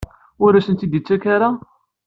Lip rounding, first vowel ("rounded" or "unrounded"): rounded